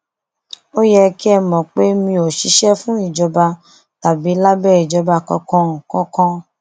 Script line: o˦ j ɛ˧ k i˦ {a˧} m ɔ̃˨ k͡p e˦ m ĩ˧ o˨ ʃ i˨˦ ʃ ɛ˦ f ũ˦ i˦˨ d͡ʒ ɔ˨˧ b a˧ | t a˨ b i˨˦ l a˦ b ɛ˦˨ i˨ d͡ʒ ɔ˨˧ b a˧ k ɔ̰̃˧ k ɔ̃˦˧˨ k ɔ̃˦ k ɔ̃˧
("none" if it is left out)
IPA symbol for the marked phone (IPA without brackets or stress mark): ɛ˧